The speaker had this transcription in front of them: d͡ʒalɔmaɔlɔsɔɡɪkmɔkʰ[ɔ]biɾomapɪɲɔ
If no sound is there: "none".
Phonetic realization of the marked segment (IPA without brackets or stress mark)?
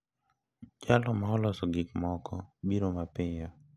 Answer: ɔ